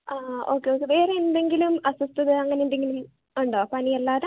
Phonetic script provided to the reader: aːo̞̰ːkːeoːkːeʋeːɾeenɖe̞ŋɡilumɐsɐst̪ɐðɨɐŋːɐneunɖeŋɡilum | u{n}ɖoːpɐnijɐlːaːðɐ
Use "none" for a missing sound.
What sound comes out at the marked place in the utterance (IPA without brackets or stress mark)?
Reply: ɳ